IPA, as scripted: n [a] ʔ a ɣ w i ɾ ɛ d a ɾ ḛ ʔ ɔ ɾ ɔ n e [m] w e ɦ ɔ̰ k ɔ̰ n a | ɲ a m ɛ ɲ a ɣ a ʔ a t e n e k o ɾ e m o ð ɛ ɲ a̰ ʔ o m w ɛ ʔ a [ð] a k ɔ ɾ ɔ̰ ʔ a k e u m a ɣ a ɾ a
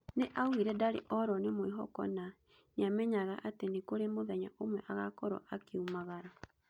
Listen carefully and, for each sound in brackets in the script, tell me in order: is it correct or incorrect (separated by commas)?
incorrect, correct, incorrect